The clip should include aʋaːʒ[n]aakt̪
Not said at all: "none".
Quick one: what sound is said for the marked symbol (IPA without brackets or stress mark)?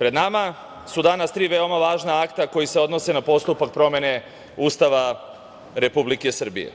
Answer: n